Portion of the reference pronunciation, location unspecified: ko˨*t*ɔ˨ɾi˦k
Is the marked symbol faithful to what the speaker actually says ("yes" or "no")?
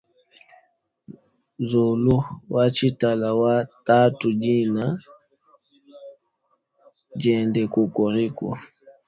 no